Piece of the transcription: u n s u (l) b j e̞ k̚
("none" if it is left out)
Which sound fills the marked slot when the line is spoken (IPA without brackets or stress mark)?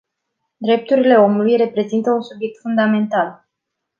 none